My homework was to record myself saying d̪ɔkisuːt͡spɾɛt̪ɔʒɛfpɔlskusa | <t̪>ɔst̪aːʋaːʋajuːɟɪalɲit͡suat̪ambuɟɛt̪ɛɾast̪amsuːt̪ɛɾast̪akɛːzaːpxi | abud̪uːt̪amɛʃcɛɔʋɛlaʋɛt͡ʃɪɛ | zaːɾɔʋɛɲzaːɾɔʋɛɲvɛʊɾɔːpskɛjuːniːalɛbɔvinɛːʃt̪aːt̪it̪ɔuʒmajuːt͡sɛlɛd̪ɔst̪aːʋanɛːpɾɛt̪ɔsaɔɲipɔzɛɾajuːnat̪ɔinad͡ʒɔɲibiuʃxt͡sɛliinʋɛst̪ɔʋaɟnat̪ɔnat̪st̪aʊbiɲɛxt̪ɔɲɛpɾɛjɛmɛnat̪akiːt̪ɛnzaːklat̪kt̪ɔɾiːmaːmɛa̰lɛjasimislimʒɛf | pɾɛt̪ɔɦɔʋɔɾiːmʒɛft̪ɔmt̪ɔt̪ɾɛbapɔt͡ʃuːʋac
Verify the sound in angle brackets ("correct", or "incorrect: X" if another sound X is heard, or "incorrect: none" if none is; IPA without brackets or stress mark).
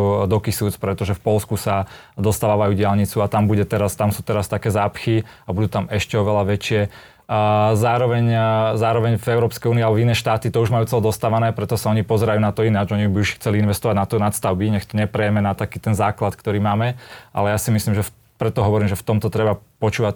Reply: incorrect: d̪